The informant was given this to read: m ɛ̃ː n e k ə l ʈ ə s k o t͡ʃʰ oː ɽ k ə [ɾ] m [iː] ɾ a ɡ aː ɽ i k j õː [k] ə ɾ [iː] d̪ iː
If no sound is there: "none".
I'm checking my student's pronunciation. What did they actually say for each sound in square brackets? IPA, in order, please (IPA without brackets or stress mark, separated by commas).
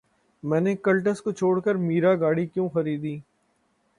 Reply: ɾ, iː, x, iː